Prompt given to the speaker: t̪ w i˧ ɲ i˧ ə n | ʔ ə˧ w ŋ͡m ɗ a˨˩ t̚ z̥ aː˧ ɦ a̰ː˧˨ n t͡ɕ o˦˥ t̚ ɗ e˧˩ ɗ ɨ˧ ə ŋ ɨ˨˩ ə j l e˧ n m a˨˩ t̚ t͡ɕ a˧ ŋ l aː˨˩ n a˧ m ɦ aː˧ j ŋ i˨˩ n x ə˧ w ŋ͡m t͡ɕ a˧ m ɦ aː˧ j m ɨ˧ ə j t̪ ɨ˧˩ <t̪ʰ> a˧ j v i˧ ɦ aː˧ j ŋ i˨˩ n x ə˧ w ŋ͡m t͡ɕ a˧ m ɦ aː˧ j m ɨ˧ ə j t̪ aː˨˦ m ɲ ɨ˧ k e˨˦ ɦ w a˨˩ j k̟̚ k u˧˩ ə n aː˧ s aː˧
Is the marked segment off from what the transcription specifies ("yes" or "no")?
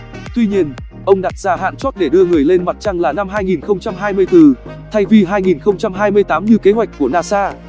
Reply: no